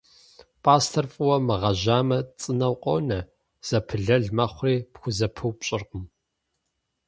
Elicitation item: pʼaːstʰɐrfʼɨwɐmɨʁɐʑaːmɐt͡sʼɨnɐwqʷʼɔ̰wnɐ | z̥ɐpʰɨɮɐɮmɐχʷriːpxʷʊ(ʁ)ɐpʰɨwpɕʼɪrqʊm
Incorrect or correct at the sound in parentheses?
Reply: incorrect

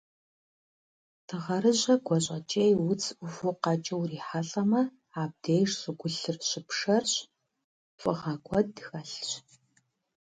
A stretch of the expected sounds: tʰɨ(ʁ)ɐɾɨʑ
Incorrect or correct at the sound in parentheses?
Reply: correct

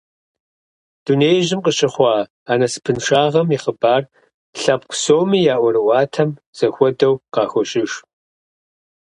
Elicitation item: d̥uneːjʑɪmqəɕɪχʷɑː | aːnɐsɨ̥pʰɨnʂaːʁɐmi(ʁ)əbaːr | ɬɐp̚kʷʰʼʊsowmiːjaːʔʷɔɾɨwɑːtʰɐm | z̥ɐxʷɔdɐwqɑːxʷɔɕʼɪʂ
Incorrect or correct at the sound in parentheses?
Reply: incorrect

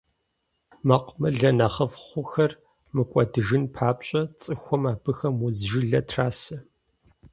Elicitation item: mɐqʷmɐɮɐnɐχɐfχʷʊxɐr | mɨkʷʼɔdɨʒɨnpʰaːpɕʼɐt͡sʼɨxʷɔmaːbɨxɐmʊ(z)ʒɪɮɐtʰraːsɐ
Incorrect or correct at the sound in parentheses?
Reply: correct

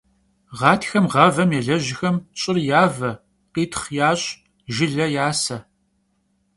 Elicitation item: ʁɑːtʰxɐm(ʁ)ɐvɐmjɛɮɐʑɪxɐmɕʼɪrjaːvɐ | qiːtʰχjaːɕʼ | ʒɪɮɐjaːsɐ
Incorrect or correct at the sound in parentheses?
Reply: correct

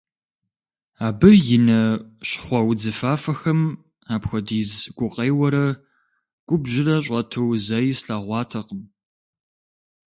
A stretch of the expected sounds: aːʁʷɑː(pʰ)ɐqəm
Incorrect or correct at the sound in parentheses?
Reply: incorrect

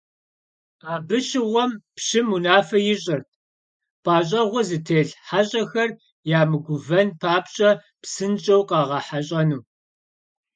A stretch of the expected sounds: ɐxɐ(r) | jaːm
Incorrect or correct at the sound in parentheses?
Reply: correct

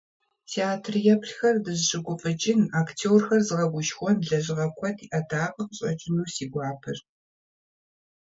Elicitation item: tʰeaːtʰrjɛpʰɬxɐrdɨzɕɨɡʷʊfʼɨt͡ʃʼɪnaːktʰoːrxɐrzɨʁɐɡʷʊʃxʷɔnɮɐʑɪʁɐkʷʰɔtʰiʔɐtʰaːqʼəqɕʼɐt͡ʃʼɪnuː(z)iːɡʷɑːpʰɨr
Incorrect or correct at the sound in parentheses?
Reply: incorrect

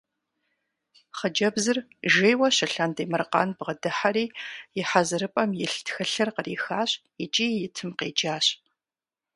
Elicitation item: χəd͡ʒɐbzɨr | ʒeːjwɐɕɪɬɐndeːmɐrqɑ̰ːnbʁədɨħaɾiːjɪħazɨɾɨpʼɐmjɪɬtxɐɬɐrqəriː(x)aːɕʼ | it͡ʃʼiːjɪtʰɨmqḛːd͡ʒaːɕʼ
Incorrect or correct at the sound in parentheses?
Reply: correct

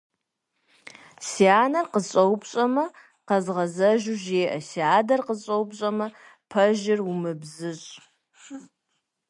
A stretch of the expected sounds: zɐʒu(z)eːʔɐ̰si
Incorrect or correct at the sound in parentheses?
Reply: incorrect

